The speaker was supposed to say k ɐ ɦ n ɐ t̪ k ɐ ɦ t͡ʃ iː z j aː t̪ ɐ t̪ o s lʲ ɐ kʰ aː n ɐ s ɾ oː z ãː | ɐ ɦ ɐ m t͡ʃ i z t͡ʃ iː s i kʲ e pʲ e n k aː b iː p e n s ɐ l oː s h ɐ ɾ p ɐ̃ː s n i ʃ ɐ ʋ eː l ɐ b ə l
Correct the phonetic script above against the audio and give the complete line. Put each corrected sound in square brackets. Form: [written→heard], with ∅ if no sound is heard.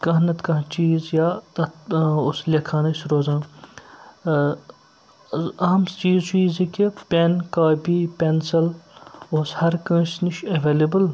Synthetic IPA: k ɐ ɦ n ɐ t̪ k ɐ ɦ t͡ʃ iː z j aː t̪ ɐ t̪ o s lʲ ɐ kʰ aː n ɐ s ɾ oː z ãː | ɐ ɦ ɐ m t͡ʃ [i→iː] z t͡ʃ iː [s→z] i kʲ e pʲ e n k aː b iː p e n s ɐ l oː s h ɐ ɾ [p→k] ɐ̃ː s n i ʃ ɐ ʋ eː l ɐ b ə l

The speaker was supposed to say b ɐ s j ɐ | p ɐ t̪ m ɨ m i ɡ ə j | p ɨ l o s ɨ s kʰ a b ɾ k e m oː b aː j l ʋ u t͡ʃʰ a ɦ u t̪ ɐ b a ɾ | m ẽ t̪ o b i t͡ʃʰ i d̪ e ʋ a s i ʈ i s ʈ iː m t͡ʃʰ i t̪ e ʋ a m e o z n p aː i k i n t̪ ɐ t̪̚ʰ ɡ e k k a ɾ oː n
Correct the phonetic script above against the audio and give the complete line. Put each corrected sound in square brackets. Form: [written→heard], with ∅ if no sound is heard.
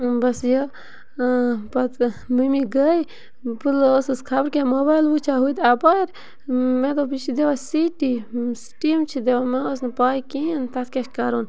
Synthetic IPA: b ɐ s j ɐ | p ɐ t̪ m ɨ m i ɡ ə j | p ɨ l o s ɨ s kʰ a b ɾ k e m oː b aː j l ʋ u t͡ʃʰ a ɦ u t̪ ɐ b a ɾ | m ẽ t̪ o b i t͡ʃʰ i d̪ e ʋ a s i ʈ i s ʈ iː m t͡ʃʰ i [t̪→d̪] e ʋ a m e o [z→s] n p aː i k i n t̪ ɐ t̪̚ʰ [ɡ→k] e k k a ɾ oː n

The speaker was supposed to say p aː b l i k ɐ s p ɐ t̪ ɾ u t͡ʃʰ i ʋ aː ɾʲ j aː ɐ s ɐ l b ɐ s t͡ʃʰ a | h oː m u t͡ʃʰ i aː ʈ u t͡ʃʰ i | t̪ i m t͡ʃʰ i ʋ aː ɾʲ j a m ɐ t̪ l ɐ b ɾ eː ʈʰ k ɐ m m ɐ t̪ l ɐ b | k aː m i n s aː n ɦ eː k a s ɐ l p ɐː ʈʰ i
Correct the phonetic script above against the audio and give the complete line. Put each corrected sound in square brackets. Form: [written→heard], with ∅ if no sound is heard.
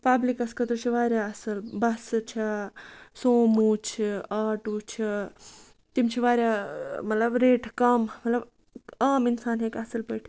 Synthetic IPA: p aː b l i k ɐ s [p→k] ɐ t̪ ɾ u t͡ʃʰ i ʋ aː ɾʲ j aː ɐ s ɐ l b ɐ s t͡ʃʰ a | [h→s] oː m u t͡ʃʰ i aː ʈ u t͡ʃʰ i | t̪ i m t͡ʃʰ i ʋ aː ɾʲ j a m ɐ t̪ l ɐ b ɾ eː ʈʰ k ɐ m m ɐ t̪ l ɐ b | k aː m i n s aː n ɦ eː k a s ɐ l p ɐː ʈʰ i

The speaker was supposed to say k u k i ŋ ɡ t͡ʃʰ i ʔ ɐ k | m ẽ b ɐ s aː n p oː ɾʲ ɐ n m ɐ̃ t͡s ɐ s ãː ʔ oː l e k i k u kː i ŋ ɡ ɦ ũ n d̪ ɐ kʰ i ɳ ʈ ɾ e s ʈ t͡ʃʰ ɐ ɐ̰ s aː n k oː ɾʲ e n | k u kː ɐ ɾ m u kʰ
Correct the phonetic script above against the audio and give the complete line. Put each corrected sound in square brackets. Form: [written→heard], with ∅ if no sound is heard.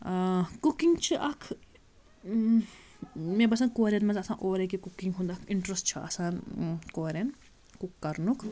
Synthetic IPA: k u k i ŋ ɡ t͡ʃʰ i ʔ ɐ [k→kʰ] | m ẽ b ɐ s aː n [p→k] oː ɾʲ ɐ n m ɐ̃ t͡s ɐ s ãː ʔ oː [l→ɾ] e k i k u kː i ŋ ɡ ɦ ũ n d̪ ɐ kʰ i ɳ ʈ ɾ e s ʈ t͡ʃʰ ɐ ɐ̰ s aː n k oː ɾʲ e n | k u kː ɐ ɾ [m→n] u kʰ

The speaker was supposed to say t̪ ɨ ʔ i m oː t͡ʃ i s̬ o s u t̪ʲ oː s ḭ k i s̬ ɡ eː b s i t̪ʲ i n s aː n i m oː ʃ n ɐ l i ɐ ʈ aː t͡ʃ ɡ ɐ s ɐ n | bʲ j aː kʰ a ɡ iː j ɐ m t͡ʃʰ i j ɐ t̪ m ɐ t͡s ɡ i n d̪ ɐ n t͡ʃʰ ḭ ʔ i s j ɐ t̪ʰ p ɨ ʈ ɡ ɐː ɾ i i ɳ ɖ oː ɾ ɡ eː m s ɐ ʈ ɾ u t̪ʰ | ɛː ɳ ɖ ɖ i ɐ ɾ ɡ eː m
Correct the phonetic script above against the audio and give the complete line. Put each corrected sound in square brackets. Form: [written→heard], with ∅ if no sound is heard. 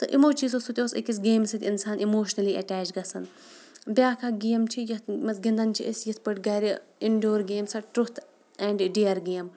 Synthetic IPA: t̪ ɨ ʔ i m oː t͡ʃ i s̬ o s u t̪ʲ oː s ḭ k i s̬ ɡ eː [b→m] s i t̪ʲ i n s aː n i m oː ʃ n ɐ l i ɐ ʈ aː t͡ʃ ɡ ɐ s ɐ n | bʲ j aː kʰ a ɡ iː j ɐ m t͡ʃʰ i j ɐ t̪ m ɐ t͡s ɡ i n d̪ ɐ n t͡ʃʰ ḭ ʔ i s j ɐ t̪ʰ p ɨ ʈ ɡ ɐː ɾ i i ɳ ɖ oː ɾ ɡ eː m s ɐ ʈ ɾ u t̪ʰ | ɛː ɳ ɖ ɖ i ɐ ɾ ɡ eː m

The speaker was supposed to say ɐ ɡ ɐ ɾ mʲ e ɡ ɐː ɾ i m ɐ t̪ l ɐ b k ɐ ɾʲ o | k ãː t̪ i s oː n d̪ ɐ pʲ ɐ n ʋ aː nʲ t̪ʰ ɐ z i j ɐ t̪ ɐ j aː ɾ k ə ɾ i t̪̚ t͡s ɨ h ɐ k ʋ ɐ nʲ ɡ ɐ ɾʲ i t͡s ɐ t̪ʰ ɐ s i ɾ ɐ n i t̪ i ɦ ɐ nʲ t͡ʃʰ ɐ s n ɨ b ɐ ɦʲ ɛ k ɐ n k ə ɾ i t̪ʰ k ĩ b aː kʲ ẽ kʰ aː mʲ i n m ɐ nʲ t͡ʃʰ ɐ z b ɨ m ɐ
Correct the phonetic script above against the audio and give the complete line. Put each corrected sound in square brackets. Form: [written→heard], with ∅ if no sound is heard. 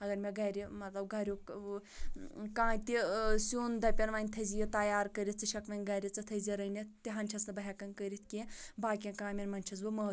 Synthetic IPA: ɐ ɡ ɐ ɾ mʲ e ɡ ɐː ɾ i m ɐ t̪ l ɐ b [k→ɡ] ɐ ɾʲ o | k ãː t̪ i s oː n d̪ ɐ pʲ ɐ n ʋ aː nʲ t̪ʰ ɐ z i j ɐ t̪ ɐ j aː ɾ k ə ɾ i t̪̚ t͡s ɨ [h→ʃ] ɐ k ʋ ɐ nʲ ɡ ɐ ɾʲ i t͡s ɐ t̪ʰ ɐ [s→z] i ɾ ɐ n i t̪ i ɦ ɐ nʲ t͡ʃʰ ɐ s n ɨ b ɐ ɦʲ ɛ k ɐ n k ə ɾ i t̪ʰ k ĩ b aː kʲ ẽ [kʰ→k] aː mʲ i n m ɐ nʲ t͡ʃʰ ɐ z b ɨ m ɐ

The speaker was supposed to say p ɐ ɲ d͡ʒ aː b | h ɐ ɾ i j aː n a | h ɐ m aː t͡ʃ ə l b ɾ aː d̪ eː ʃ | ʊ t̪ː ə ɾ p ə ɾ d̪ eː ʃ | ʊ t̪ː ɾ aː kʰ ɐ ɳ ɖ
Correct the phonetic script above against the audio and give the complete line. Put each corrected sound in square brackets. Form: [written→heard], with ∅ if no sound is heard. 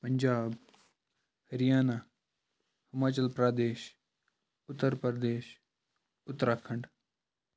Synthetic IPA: p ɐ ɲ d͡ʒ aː b | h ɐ ɾ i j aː n a | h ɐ m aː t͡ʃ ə l [b→p] ɾ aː d̪ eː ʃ | ʊ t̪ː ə ɾ p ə ɾ d̪ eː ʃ | ʊ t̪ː ɾ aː kʰ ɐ ɳ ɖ

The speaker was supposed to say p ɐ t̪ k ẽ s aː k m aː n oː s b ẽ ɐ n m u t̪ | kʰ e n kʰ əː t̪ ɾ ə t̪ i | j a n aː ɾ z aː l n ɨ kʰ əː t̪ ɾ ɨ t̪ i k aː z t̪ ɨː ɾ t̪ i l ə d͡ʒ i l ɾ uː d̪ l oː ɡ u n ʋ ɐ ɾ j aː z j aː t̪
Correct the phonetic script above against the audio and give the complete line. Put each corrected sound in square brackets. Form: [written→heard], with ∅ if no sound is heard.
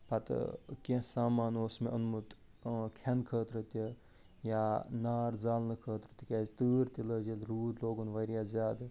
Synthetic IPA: p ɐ t̪ k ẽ s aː [k→∅] m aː n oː s [b→m] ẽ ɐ n m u t̪ | kʰ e n kʰ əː t̪ ɾ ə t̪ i | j a n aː ɾ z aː l n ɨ kʰ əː t̪ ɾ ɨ t̪ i k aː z t̪ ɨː ɾ t̪ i l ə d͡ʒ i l ɾ uː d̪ l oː ɡ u n ʋ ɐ ɾ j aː z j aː [t̪→d̪]

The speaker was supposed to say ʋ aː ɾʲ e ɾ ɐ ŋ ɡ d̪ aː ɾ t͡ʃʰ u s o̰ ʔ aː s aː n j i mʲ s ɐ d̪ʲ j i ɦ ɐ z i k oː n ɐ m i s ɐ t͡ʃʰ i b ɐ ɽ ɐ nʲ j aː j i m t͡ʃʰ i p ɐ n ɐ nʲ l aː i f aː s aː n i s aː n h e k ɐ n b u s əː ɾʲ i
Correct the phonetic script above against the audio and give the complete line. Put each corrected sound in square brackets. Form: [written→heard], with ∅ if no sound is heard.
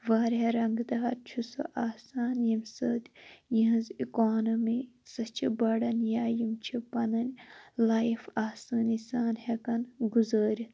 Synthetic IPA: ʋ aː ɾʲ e ɾ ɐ ŋ ɡ d̪ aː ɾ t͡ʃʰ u s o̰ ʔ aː s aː n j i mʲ s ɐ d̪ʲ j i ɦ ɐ z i k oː n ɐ m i s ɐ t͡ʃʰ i b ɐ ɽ ɐ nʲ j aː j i m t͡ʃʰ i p ɐ n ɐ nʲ l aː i f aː s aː n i s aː n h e k ɐ n [b→ɡ] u [s→z] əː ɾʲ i

